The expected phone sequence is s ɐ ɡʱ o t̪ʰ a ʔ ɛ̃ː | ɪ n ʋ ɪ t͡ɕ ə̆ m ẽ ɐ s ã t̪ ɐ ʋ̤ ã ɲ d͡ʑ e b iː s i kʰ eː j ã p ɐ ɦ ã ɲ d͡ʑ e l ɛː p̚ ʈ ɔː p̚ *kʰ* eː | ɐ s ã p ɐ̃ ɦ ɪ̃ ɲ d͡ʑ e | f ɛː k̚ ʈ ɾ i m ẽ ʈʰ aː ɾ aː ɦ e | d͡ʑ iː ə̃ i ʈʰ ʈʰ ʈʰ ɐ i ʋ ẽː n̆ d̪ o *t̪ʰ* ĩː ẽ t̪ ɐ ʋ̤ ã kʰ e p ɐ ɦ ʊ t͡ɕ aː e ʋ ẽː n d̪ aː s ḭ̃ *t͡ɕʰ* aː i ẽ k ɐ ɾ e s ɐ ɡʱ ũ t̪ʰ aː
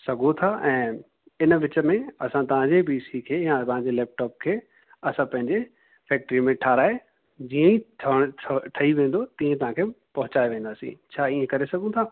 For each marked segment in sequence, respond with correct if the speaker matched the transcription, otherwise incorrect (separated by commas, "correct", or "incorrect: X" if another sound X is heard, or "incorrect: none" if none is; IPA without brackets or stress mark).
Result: correct, incorrect: t̪, correct